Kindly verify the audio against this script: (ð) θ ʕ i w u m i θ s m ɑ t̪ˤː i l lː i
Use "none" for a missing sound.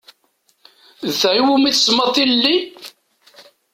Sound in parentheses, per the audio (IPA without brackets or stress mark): ð